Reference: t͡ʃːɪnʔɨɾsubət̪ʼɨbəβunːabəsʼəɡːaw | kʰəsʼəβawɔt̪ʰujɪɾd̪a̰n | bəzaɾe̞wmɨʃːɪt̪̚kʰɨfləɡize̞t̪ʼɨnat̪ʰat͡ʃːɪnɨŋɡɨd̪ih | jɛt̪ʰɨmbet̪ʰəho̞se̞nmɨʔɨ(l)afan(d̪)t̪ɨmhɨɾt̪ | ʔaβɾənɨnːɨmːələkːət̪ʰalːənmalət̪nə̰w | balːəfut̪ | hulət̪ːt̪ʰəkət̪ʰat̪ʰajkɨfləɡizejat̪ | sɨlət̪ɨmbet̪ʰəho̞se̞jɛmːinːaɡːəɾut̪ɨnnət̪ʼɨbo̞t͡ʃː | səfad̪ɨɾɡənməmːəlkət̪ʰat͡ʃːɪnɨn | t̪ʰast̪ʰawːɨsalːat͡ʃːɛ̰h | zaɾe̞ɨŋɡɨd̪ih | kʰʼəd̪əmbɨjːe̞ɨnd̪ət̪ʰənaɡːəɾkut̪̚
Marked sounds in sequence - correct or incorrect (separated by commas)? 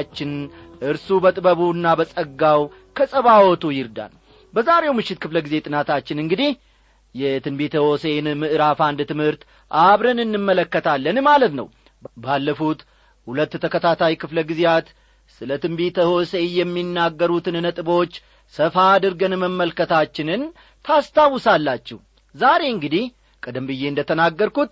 incorrect, correct